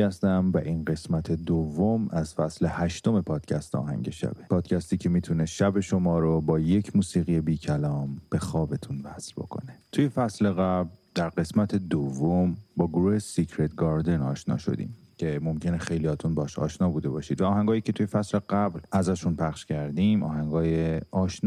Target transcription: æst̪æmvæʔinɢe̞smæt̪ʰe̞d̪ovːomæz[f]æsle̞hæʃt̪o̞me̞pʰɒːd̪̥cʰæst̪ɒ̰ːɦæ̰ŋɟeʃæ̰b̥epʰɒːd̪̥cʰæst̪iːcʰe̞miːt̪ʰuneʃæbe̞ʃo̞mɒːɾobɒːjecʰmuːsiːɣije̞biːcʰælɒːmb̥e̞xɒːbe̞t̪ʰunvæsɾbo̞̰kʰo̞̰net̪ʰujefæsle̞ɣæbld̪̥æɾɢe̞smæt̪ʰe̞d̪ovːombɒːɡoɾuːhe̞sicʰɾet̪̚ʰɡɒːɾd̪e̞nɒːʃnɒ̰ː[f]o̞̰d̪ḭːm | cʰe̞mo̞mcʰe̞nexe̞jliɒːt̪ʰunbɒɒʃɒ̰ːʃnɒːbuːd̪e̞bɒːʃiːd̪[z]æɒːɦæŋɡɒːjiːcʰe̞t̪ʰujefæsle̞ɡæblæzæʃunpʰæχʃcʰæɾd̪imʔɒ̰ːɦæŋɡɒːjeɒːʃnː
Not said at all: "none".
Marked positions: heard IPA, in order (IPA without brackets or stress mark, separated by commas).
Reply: f, ʃ, v